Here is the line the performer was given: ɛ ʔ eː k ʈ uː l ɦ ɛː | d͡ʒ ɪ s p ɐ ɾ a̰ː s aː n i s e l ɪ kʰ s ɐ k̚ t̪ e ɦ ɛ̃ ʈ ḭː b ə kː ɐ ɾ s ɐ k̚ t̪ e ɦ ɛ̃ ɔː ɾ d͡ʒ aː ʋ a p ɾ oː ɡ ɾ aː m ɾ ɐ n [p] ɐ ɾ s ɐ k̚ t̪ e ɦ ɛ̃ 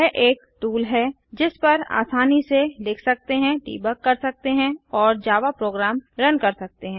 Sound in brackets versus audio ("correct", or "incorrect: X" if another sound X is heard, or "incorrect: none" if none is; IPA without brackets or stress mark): incorrect: k